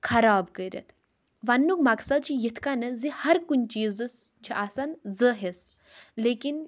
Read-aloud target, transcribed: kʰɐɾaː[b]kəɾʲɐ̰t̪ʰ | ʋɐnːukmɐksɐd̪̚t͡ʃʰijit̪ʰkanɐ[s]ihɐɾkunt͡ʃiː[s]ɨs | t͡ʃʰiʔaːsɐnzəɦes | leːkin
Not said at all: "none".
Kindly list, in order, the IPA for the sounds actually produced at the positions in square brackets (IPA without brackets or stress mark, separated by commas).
b, z, z